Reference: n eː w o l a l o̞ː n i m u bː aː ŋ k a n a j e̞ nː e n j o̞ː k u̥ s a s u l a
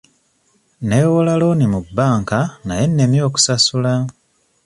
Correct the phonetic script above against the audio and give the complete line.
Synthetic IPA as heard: n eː w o l a l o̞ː n i m u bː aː ŋ k a n a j e̞ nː e m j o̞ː k u̥ s a s u l a

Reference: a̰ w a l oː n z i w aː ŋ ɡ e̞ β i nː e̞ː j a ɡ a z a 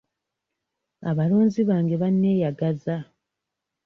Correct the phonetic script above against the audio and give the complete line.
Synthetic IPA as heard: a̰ β a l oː n z i β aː ŋ ɡ e̞ β a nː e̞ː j a ɡ a z a

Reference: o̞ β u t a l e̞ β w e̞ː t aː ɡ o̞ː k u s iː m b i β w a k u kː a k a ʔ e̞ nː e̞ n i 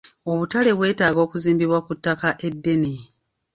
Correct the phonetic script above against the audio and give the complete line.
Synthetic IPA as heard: o̞ β u t a l e̞ β w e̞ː t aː ɡ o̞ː k u z iː m b i β w a k u tː a k a ʔ e̞ dː e̞ n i

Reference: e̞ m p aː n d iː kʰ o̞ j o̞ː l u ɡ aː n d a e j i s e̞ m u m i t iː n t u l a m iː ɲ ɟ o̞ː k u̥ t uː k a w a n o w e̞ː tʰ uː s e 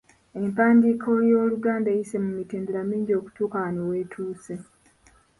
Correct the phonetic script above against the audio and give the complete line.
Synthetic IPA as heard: e̞ m p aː n d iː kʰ o̞ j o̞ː l u ɡ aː n d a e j i s e̞ m u m i t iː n d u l a m iː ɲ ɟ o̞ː k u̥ t uː k a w a n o w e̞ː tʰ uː s e

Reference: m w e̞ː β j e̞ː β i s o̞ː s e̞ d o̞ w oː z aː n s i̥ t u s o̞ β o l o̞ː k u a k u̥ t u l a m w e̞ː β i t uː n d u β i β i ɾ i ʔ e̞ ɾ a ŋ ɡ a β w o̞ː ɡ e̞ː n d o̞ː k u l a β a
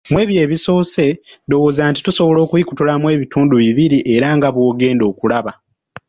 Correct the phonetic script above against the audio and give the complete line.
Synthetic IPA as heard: m w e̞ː β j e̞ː β i s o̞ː s e̞ d o̞ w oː z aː n t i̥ t u s o̞ β o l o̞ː k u i k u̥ t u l a m w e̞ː β i t uː n d u β i β i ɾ i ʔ e̞ ɾ a ŋ ɡ a β w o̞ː ɡ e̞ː n d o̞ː k u l a β a

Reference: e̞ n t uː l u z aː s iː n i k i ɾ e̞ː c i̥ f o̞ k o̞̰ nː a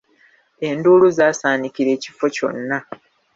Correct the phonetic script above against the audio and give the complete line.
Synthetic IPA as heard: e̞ n d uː l u z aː s aː n i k i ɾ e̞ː c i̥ f o̞ c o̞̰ nː a

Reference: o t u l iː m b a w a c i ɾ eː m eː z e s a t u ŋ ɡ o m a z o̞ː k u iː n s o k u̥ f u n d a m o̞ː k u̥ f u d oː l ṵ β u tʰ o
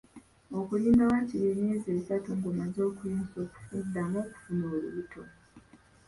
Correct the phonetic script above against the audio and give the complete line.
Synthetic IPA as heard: o k u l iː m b a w a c i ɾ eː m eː z e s a t u ŋ ɡ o m a z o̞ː k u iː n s o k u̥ f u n d a m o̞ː k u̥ f u n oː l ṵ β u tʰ o

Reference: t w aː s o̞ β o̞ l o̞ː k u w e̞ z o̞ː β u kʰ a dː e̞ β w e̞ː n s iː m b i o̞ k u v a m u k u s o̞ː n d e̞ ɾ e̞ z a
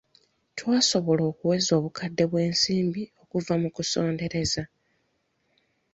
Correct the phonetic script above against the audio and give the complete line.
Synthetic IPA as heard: t w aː s o̞ β o̞ l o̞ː k u w e̞ z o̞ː β u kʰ a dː e̞ β w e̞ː n s iː m b i o̞ k u v a m u k u s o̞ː n d e̞ ɾ e̞ z a

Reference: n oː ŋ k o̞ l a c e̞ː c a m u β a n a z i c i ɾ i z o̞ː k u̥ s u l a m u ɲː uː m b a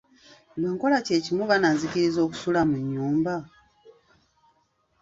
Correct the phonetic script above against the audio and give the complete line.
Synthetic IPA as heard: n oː ŋ k o̞ l a c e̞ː c i m u β a n a z i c i ɾ i z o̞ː k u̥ s u l a m u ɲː uː m b a

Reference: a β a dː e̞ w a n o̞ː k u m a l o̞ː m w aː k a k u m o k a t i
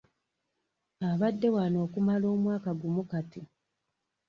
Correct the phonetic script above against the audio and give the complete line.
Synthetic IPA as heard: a β a dː e̞ w a n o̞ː k u m a l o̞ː m w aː k a ɡ u m u k a t i

